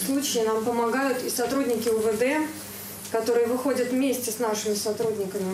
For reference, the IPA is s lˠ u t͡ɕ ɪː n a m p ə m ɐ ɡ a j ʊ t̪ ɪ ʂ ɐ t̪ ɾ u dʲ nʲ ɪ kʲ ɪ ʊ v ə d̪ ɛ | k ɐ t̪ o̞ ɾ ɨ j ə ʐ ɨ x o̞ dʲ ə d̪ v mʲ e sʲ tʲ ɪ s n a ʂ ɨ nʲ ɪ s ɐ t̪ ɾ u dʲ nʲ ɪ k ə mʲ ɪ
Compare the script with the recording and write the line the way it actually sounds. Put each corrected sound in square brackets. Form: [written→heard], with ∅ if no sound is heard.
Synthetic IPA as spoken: s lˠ u t͡ɕ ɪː n a m p ə m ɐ ɡ a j ʊ t̪ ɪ [ʂ→s] ɐ t̪ ɾ u dʲ nʲ ɪ kʲ ɪ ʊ v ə d̪ ɛ | k ɐ t̪ o̞ ɾ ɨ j ə [ʐ→v] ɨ x o̞ dʲ ə [d̪→t̪] v mʲ e sʲ tʲ ɪ s n a ʂ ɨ [nʲ→mʲ] ɪ s ɐ t̪ ɾ u dʲ nʲ ɪ k ə mʲ ɪ